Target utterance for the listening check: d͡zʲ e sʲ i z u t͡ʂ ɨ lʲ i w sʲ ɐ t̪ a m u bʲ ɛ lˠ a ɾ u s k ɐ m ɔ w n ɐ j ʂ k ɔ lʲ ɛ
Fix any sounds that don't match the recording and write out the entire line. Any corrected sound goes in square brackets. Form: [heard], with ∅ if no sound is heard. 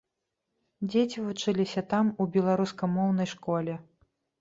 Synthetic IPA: d͡zʲ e [t͡sʲ] i [v] u t͡ʂ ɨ lʲ i [∅] sʲ ɐ t̪ a m u bʲ ɛ lˠ a ɾ u s k ɐ m ɔ w n ɐ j ʂ k ɔ lʲ ɛ